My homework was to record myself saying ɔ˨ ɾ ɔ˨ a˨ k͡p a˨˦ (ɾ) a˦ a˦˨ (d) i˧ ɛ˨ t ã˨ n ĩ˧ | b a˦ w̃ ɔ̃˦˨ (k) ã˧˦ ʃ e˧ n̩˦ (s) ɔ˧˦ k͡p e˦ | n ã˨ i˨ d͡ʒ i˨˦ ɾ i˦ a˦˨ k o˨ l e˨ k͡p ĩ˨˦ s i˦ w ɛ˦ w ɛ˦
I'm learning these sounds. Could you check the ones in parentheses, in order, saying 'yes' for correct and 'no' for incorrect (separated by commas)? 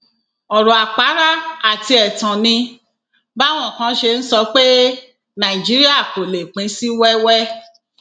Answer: yes, no, yes, yes